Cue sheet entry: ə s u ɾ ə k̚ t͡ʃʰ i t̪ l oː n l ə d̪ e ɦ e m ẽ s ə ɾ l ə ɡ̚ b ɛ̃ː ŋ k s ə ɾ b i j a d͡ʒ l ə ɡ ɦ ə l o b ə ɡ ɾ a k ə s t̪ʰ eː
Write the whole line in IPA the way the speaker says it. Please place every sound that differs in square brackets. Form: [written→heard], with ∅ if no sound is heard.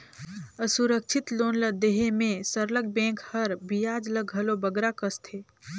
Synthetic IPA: ə s u ɾ ə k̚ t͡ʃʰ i t̪ l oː n l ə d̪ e ɦ e m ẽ s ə ɾ l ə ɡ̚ b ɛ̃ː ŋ k [s→h] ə ɾ b i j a d͡ʒ l ə ɡ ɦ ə l o b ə ɡ ɾ a k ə s t̪ʰ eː